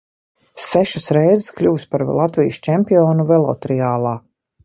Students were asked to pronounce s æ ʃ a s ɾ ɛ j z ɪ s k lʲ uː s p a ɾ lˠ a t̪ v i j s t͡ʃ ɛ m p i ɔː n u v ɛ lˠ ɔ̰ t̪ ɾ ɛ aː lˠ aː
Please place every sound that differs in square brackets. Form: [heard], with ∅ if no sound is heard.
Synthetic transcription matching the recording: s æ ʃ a s ɾ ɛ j z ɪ s k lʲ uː s p a ɾ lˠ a t̪ v i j s t͡ʃ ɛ m p i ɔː n u v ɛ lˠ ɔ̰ t̪ ɾ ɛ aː lˠ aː